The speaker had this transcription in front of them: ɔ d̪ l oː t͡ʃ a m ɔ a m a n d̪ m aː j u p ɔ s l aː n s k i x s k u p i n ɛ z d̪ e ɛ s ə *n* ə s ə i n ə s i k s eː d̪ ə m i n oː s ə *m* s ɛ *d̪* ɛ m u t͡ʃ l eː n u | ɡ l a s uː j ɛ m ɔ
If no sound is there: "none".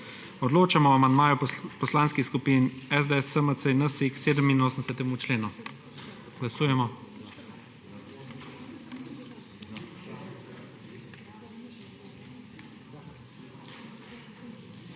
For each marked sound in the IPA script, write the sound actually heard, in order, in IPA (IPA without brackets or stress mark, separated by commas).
m, n, t̪